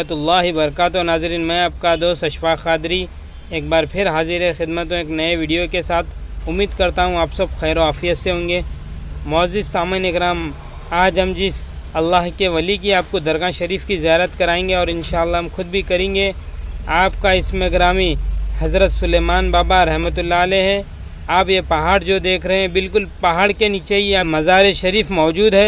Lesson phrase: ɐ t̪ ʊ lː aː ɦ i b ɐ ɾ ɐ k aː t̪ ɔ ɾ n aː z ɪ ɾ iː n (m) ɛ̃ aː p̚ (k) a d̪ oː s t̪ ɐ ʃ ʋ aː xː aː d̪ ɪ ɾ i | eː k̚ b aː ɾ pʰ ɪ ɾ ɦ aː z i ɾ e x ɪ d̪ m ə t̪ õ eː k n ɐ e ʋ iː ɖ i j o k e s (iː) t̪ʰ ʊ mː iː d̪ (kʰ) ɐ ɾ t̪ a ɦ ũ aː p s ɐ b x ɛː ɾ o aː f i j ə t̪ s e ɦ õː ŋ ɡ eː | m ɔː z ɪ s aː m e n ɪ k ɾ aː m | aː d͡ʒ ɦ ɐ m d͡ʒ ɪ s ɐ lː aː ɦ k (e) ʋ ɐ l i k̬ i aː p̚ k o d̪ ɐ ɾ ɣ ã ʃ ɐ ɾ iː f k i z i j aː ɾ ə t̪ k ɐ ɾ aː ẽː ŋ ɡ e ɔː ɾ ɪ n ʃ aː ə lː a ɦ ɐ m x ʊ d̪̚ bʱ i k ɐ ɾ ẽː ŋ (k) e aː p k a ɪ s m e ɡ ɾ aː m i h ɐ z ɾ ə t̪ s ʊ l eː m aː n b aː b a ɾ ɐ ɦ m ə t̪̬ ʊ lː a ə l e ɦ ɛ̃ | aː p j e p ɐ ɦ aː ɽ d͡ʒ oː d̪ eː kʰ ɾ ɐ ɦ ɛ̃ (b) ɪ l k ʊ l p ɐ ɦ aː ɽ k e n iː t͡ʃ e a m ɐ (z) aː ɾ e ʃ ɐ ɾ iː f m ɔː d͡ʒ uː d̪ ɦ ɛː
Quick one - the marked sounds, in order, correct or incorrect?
correct, correct, incorrect: aː, incorrect: k, correct, incorrect: ɡ, correct, correct

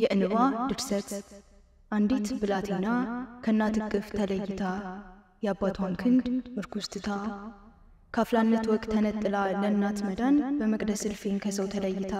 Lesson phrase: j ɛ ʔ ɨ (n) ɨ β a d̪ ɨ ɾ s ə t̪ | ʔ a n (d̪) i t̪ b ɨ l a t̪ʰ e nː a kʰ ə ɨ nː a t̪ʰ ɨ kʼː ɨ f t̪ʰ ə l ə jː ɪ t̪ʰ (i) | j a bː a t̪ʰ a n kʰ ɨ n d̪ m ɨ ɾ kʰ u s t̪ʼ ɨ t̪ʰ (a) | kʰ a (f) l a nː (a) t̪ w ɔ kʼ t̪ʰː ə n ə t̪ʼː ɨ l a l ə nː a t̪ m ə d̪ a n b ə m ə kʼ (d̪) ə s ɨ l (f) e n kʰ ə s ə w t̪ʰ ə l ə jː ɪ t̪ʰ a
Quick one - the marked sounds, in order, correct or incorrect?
correct, correct, incorrect: a, correct, correct, incorrect: ə, correct, correct

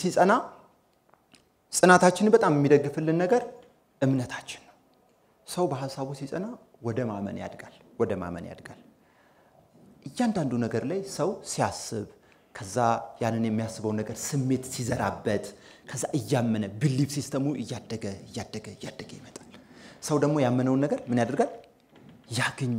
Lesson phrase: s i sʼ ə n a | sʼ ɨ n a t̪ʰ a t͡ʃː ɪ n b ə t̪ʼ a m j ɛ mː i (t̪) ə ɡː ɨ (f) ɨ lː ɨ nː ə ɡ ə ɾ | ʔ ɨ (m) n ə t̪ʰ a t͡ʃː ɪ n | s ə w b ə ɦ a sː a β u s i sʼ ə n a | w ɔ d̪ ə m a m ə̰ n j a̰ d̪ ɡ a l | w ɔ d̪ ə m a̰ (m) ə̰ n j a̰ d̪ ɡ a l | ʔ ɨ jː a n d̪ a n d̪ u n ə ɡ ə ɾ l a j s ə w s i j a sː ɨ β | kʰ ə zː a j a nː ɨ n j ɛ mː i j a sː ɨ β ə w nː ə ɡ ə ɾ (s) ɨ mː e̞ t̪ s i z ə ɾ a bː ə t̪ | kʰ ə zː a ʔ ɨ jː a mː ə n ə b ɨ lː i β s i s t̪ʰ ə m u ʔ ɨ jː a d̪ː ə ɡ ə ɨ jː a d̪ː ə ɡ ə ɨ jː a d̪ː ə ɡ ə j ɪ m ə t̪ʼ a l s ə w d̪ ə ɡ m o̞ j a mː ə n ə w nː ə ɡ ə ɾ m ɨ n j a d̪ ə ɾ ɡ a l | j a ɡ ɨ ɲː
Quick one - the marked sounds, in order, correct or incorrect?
incorrect: d̪, correct, correct, correct, correct

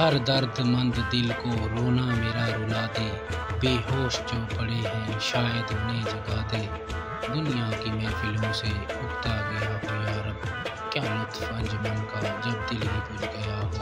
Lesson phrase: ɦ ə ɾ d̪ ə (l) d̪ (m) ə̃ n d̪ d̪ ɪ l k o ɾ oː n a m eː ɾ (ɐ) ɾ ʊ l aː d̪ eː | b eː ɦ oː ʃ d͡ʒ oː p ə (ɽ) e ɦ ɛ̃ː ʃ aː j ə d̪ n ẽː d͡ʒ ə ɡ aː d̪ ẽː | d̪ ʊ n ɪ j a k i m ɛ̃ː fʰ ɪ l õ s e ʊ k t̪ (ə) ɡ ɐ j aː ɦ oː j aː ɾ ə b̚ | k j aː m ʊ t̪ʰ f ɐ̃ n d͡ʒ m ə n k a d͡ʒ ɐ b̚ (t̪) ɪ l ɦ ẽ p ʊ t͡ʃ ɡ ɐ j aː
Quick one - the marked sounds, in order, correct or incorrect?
incorrect: ɾ, correct, incorrect: a, correct, incorrect: a, incorrect: d̪

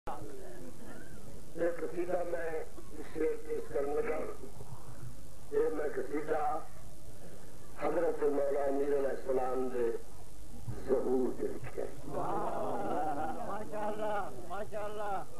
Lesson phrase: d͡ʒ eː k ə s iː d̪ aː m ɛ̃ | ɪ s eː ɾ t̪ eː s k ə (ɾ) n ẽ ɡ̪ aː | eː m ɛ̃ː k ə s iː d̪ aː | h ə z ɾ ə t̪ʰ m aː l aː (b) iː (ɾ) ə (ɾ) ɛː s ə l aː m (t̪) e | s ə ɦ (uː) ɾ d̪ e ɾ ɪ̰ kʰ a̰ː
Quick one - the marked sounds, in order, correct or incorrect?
correct, incorrect: m, correct, incorrect: l, incorrect: d̪, correct

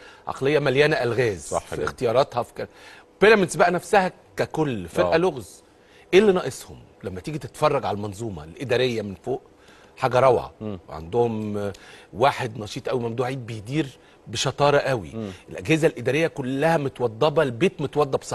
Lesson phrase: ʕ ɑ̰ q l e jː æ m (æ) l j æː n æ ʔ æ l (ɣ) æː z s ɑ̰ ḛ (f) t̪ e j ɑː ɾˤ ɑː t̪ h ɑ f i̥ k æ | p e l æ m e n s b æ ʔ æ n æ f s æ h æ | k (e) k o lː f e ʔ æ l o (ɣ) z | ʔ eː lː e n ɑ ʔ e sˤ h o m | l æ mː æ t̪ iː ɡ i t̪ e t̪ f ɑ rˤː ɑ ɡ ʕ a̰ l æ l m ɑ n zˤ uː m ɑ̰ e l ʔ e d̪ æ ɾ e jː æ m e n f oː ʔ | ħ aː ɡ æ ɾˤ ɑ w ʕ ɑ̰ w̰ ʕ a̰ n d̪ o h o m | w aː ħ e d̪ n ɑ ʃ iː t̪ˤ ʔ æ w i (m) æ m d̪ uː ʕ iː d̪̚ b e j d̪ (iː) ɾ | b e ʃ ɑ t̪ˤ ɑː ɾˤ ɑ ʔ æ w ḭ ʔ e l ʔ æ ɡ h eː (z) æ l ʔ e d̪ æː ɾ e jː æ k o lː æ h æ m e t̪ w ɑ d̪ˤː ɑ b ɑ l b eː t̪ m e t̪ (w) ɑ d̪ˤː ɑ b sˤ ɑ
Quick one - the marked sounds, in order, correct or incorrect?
correct, correct, incorrect: x, incorrect: æ, correct, correct, correct, correct, correct

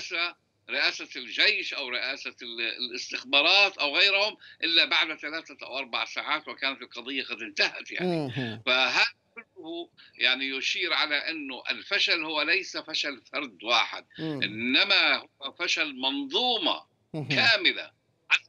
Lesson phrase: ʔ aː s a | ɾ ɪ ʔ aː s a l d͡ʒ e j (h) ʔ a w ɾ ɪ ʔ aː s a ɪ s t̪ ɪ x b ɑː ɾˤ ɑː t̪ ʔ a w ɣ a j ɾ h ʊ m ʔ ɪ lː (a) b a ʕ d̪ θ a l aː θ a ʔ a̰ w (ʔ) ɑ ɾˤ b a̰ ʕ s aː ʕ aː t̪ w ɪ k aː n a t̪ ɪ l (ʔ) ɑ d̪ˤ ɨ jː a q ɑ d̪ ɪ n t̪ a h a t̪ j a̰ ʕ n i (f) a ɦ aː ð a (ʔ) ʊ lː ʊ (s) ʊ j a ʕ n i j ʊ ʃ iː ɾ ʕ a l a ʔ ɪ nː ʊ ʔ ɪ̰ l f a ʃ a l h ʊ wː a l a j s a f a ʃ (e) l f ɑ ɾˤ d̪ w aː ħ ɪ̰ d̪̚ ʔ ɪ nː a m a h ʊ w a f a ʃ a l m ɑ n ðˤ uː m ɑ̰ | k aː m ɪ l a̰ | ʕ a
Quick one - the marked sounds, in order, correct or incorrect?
incorrect: ʃ, correct, correct, incorrect: q, correct, incorrect: k, incorrect: h, incorrect: a

